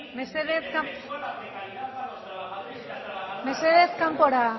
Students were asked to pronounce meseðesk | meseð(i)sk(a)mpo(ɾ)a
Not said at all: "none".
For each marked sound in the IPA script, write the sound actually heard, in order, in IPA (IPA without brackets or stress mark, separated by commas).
e, a, ɾ